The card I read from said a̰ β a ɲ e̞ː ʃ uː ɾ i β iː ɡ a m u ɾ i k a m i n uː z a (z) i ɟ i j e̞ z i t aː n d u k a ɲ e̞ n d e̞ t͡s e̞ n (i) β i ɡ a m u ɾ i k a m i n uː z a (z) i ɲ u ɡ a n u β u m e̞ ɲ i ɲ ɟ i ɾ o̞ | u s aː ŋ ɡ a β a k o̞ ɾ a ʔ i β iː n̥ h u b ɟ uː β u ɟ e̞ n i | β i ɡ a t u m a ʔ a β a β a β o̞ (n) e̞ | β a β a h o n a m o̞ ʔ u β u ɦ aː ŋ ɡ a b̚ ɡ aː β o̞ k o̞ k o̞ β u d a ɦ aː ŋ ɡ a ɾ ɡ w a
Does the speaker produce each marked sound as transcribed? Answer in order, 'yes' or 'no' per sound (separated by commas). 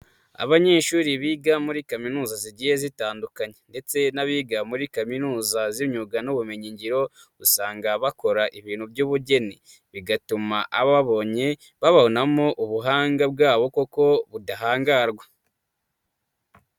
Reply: yes, no, yes, no